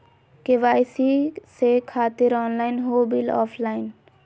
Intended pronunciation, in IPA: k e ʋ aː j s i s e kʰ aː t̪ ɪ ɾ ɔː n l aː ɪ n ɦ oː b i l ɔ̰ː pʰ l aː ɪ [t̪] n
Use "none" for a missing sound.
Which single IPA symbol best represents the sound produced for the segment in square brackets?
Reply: none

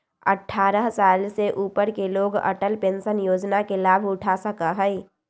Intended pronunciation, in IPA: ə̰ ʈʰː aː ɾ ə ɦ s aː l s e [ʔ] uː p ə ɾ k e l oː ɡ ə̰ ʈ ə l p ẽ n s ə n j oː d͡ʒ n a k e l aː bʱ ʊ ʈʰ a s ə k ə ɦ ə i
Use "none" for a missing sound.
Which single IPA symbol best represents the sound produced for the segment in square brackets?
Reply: ʔ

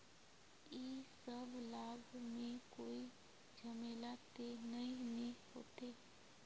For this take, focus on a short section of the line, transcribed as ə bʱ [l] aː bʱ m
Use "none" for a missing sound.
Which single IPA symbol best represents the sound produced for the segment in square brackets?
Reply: l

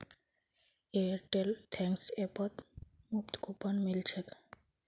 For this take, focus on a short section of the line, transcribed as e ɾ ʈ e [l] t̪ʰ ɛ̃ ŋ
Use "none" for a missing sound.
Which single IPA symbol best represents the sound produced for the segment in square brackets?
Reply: l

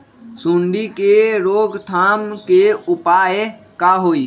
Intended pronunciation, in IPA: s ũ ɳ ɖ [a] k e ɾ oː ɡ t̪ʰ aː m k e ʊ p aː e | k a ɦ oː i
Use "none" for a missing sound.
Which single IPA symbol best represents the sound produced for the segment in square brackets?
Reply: i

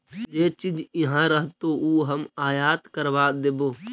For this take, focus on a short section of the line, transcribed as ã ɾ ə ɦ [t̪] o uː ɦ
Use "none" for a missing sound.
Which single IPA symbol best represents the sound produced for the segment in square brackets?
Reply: t̪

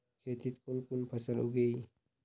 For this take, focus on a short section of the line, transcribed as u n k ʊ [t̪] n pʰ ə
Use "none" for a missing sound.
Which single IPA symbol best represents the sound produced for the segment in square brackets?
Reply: none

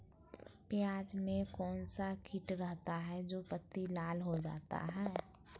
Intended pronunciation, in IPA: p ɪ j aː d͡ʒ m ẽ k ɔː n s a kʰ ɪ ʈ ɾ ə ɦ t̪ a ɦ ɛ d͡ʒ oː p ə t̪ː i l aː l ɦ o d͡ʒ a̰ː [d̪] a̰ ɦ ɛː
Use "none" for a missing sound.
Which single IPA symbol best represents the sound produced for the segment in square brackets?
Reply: t̪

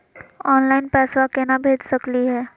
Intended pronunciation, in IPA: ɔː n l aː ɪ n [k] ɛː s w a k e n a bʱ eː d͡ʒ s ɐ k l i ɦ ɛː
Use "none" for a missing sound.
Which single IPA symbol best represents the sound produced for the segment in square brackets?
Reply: p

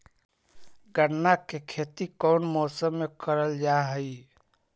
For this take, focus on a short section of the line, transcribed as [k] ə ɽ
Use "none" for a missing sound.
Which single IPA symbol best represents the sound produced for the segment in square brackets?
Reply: ɡ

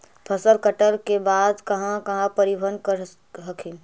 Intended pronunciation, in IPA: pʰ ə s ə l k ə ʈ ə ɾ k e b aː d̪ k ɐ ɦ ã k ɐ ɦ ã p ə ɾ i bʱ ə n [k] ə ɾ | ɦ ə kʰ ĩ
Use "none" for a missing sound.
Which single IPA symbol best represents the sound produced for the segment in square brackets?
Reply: k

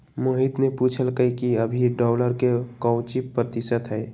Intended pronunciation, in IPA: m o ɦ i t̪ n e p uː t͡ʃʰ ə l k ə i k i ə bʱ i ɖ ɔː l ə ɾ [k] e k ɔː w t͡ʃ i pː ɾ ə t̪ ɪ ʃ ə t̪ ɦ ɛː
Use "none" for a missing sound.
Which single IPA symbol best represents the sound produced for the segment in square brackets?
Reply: k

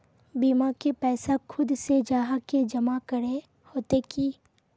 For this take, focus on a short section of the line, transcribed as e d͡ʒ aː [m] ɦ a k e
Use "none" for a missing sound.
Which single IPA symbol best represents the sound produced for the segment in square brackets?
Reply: none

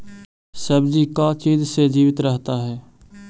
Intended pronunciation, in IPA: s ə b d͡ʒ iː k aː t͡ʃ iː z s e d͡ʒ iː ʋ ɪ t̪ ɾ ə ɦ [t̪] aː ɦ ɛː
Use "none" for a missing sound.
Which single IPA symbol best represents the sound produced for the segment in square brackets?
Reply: t̪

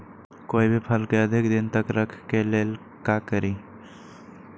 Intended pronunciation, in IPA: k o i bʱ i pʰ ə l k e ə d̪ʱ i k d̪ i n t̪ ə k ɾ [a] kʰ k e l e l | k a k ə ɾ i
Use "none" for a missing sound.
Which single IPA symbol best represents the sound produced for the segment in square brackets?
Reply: ə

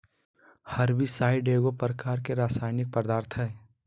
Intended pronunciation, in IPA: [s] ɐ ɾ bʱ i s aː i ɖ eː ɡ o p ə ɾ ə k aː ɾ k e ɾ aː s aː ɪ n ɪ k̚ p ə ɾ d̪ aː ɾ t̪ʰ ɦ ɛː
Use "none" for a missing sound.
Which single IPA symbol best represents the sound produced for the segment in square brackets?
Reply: h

